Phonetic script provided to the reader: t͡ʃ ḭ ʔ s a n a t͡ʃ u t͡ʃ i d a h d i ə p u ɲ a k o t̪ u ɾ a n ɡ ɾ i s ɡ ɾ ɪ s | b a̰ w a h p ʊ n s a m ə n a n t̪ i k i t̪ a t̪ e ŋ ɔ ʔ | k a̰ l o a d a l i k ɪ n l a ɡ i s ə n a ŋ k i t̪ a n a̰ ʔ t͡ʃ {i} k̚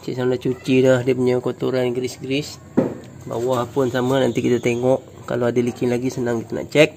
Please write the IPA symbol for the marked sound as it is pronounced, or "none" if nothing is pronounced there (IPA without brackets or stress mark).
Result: ɛ